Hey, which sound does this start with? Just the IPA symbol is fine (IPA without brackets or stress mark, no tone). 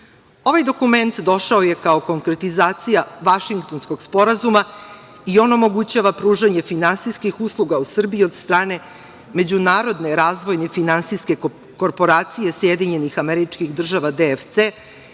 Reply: o̞